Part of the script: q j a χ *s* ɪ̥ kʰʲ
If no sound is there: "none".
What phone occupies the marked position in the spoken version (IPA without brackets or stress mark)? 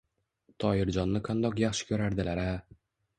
ʃ